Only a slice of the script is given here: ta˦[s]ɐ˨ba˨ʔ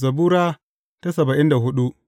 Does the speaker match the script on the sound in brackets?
yes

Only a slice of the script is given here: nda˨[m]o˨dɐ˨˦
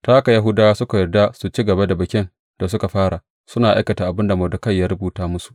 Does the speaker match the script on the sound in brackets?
yes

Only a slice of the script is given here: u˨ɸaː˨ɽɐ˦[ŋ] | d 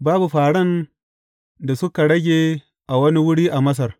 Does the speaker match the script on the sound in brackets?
no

